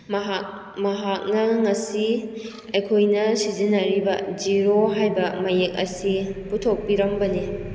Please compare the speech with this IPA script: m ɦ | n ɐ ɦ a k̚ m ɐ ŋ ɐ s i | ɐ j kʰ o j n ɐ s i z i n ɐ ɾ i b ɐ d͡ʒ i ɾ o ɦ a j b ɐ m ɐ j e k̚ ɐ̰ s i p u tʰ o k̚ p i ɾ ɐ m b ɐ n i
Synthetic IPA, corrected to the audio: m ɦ | m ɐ ɦ a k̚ n ɐ ŋ ɐ s i | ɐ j kʰ o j n ɐ s i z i n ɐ ɾ i b ɐ d͡ʒ i ɾ o ɦ a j b ɐ m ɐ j e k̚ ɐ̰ s i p u tʰ o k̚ p i ɾ ɐ m b ɐ n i